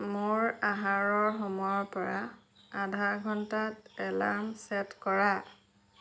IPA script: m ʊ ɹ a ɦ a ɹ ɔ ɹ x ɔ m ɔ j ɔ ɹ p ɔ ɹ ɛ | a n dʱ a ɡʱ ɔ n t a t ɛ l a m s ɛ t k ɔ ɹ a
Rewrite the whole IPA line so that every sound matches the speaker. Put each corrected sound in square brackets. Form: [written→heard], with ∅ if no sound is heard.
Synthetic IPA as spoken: m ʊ ɹ a ɦ a ɹ ɔ ɹ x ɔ m ɔ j ɔ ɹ p ɔ ɹ [ɛ→a] | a [n→∅] dʱ a ɡʱ ɔ n t a t ɛ l a m s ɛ t k ɔ ɹ a